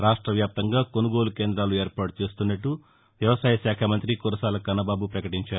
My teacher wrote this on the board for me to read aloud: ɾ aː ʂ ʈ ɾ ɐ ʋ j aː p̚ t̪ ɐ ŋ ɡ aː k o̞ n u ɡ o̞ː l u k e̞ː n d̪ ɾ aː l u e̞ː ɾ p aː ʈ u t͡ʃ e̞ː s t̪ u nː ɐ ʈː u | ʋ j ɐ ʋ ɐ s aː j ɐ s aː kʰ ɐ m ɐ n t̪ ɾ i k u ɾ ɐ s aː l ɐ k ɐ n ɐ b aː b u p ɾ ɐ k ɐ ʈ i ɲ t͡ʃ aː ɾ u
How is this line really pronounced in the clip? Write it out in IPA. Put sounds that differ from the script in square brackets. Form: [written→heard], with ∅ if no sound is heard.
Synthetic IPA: ɾ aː ʂ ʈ ɾ ɐ ʋ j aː p̚ t̪ ɐ ŋ ɡ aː k o̞ n u ɡ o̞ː l u k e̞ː n d̪ ɾ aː l u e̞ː ɾ p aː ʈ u t͡ʃ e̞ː s t̪ u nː ɐ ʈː u | ʋ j ɐ ʋ ɐ s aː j ɐ [s→ʃ] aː kʰ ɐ m ɐ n t̪ ɾ i k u ɾ ɐ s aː l ɐ k ɐ n ɐ b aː b u p ɾ ɐ k ɐ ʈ i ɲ t͡ʃ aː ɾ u